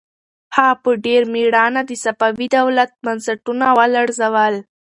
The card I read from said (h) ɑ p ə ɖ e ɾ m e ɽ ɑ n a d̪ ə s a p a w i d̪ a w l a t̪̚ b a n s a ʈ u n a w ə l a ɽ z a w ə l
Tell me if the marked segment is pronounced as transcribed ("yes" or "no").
yes